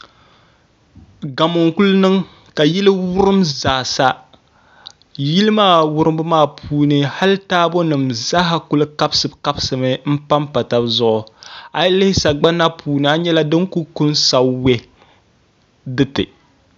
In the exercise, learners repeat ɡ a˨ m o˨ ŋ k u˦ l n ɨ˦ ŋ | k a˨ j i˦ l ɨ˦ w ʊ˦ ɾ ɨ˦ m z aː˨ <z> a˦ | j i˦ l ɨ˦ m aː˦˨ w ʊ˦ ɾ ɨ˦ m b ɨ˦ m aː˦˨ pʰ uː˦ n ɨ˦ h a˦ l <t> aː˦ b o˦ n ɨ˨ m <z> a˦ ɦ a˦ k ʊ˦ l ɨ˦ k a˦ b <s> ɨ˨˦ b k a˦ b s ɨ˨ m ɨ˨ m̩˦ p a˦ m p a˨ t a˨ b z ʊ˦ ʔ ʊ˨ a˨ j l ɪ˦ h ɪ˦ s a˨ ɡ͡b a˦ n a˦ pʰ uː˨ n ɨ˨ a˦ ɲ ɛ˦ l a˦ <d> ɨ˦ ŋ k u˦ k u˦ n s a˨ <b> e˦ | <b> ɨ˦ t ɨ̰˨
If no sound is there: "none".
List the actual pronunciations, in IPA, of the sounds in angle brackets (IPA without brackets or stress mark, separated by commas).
s, t, z, s, d, w, d